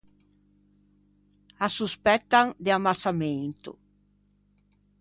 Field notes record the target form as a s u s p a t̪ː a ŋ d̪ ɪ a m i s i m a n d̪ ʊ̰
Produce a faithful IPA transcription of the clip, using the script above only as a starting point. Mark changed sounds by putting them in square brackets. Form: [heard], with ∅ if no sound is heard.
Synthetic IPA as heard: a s u s p [ɛ] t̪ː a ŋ d̪ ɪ a m [a] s [a] m [e] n [t̪] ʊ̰